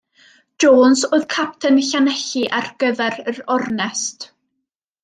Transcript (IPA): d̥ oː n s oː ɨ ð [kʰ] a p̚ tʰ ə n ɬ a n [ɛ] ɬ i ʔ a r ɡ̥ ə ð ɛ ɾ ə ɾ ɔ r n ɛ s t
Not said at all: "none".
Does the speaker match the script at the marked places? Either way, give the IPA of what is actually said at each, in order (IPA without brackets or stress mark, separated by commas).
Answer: kʰ, ɛ